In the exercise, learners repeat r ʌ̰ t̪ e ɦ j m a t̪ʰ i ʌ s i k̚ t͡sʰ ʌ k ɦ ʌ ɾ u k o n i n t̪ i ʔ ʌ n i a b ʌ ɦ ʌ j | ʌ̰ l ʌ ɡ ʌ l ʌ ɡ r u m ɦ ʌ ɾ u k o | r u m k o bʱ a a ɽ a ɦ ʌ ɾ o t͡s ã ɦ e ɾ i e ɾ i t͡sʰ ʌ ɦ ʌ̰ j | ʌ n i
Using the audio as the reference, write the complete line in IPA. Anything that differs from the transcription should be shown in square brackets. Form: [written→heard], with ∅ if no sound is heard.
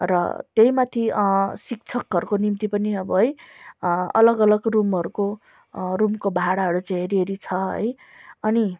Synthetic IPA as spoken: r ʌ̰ t̪ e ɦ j m a t̪ʰ i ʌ s i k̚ t͡sʰ ʌ k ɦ ʌ ɾ u k o n i [n→m] t̪ i [ʔ→p] ʌ n i [a→ʌ] b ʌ ɦ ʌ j | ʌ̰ l ʌ ɡ ʌ l ʌ ɡ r u m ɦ ʌ ɾ u k o | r u m k o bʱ a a ɽ a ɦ ʌ ɾ [o→u] t͡s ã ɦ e ɾ i e ɾ i t͡sʰ ʌ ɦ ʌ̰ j | ʌ n i